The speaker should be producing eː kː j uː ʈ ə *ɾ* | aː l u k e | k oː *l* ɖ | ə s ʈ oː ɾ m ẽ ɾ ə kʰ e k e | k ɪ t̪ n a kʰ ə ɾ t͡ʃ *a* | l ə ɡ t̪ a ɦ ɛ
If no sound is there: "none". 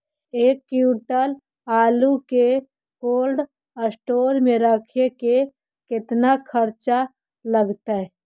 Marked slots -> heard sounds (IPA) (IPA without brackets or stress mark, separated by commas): l, l, a